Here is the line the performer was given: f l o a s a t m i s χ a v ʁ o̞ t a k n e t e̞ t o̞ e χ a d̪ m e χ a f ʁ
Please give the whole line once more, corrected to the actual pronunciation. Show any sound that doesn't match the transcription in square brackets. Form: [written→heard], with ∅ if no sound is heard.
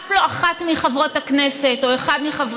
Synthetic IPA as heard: f l o a [s→χ] a t m i [s→∅] χ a v ʁ o̞ t a k n e [t→s] e̞ t o̞ e χ a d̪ m [e→i] χ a [f→v] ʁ